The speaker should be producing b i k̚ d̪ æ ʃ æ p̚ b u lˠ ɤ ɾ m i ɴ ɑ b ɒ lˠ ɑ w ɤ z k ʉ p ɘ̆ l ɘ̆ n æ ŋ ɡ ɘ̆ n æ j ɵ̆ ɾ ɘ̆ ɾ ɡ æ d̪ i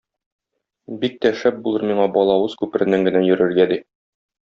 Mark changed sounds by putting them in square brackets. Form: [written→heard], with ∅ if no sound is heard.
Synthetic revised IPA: b i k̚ [d̪→t̪] æ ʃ æ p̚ b u lˠ ɤ ɾ m i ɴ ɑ b ɒ lˠ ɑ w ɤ z k ʉ p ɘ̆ [l→ɾ] ɘ̆ n æ ŋ ɡ ɘ̆ n æ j ɵ̆ ɾ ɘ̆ ɾ ɡ æ d̪ i